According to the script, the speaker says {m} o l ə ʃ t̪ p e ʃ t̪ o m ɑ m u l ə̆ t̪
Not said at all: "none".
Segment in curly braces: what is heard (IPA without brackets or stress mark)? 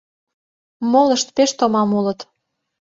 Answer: m